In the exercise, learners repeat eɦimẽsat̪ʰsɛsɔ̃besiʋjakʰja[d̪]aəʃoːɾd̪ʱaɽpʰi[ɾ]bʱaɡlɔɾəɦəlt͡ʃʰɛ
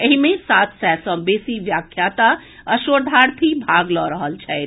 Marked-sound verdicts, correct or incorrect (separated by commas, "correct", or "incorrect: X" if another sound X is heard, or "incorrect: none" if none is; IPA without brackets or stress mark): incorrect: t̪, incorrect: none